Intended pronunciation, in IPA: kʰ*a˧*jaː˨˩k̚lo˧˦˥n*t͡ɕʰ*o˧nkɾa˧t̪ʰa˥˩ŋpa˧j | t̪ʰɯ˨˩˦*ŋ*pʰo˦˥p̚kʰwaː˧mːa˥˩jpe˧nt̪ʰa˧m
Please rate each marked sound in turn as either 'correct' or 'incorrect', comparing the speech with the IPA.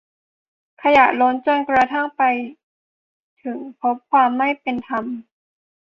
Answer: correct, incorrect: t͡ɕ, correct

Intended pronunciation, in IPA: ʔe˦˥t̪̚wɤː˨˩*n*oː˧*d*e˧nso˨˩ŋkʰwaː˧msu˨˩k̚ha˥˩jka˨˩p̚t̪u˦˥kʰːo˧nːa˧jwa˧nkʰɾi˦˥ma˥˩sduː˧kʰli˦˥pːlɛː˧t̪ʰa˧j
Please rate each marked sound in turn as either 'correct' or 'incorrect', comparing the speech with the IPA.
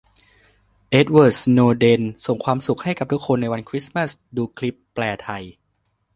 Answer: correct, correct

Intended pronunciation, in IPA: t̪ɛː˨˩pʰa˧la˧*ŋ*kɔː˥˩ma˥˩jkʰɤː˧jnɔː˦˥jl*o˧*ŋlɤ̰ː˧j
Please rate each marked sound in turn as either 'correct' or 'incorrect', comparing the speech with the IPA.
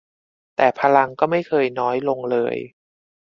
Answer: correct, correct

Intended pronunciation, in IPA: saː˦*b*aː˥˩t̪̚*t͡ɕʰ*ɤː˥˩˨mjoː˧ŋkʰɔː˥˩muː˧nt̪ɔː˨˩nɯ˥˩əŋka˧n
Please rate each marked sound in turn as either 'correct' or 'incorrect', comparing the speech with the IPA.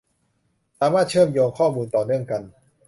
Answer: incorrect: m, correct

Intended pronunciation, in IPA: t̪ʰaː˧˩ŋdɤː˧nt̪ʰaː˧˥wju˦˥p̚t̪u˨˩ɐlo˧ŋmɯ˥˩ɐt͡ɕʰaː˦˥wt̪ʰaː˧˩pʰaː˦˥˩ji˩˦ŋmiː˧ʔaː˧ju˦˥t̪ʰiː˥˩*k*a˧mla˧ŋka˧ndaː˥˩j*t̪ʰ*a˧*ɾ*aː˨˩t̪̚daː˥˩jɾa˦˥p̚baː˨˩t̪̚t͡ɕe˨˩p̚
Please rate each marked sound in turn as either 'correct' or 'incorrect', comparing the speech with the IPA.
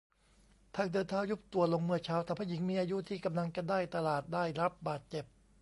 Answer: correct, incorrect: t̪, incorrect: l

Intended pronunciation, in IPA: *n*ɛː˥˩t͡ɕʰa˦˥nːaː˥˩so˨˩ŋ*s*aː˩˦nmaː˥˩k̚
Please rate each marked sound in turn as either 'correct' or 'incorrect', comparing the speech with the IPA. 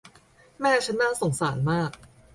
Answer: incorrect: m, correct

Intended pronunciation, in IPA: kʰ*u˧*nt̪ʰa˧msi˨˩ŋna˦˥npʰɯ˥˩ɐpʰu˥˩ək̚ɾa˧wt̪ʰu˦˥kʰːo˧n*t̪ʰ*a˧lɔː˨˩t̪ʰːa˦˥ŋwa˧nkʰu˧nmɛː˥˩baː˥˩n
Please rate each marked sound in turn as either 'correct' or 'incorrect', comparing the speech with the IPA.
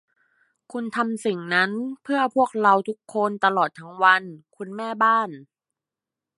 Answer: correct, incorrect: t̪

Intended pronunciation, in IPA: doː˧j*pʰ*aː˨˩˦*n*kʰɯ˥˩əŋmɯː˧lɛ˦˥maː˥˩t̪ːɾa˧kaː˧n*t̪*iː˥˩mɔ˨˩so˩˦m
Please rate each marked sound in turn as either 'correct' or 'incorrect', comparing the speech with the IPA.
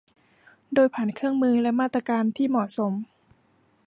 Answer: correct, correct, incorrect: t̪ʰ

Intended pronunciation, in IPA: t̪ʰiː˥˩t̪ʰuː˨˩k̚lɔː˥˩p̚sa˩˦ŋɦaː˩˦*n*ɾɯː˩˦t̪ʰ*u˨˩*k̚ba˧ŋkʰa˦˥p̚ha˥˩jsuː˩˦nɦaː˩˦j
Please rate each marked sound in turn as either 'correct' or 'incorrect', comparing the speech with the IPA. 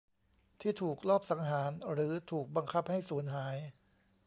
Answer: correct, incorrect: uː˨˩

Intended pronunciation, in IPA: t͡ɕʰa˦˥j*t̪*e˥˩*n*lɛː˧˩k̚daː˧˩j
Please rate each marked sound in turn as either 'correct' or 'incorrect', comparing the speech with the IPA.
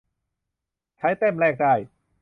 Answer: correct, incorrect: m

